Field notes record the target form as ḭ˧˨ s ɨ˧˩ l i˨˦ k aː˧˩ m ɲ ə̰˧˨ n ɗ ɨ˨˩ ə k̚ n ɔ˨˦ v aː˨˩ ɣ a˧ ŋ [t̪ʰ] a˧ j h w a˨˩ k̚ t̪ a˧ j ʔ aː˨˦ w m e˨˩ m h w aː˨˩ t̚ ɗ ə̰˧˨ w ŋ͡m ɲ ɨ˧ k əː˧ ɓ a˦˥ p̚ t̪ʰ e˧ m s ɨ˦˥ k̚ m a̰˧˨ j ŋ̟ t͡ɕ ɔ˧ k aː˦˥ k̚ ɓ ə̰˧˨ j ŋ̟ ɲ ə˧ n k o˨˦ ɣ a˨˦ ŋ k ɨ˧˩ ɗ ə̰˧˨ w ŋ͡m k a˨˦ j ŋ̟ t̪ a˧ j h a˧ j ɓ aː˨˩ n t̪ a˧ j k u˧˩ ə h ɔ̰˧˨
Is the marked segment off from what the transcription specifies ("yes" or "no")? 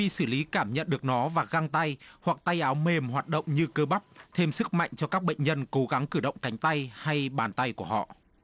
yes